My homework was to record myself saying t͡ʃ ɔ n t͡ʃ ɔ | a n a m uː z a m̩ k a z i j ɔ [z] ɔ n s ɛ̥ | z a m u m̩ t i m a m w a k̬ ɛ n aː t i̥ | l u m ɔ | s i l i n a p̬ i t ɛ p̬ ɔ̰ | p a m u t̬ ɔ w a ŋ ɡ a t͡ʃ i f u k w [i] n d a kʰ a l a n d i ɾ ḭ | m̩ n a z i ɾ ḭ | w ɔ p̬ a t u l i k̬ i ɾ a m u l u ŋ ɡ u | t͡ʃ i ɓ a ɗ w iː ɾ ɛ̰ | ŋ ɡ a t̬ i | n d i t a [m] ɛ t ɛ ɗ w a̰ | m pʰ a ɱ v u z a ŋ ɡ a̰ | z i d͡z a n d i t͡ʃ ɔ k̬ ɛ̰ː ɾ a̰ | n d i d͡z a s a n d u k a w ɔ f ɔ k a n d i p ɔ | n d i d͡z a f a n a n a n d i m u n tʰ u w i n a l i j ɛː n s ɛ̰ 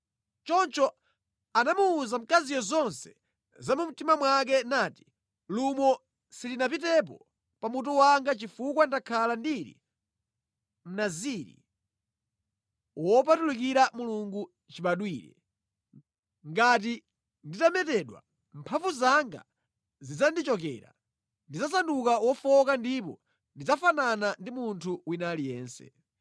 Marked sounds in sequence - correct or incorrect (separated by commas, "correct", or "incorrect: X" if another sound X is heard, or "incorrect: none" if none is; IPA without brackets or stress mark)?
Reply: correct, incorrect: a, correct